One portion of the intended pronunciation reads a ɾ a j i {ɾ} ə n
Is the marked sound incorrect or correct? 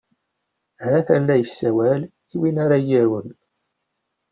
correct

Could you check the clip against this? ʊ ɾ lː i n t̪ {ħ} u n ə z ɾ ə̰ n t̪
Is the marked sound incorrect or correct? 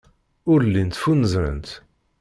incorrect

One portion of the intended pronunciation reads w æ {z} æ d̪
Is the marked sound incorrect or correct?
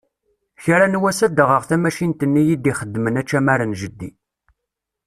incorrect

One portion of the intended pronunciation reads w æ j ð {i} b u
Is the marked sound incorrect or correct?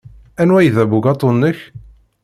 incorrect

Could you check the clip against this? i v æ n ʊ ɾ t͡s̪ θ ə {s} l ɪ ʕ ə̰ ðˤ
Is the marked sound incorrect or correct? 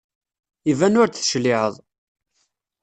incorrect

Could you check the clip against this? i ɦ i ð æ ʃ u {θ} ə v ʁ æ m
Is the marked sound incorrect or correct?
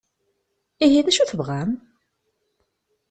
correct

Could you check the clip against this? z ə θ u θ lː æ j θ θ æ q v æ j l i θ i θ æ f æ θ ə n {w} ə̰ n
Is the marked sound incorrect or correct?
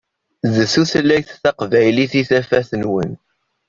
correct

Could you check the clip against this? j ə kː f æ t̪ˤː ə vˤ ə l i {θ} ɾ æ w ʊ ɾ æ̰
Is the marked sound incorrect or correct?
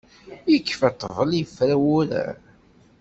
incorrect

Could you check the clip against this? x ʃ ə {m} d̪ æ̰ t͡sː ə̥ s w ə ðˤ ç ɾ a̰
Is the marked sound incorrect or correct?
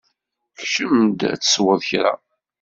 correct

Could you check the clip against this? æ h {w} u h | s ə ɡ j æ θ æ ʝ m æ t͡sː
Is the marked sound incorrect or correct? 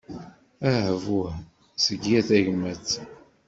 incorrect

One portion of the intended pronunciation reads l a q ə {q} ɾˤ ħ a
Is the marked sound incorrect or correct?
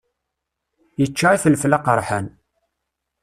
incorrect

